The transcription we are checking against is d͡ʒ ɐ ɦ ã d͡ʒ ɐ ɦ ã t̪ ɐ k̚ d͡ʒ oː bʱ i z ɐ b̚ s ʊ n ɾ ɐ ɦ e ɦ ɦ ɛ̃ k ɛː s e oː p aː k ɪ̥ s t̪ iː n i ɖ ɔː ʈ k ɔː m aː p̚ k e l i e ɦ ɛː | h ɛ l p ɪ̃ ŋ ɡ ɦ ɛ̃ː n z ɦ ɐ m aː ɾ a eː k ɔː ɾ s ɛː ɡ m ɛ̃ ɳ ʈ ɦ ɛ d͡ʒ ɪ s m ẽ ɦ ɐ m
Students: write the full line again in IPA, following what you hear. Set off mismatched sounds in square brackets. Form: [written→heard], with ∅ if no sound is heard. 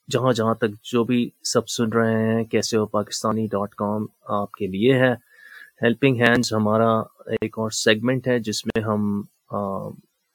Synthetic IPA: d͡ʒ ɐ ɦ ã d͡ʒ ɐ ɦ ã t̪ ɐ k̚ d͡ʒ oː bʱ i [z→s] ɐ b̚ s ʊ n ɾ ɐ ɦ e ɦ ɦ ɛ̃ k ɛː s e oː p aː k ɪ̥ s t̪ [iː→aː] n i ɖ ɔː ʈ k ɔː m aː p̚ k e l i e ɦ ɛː | h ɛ l p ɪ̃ ŋ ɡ ɦ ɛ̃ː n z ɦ ɐ m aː ɾ a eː k ɔː ɾ s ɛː ɡ m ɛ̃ ɳ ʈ ɦ ɛ d͡ʒ ɪ s m ẽ ɦ ɐ m